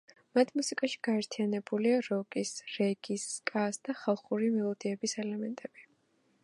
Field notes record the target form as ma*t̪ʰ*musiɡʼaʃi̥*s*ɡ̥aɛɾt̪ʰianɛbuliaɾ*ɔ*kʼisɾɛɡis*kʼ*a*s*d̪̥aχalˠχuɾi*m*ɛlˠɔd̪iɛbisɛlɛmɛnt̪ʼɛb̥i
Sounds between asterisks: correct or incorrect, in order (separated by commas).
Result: correct, incorrect, correct, correct, correct, correct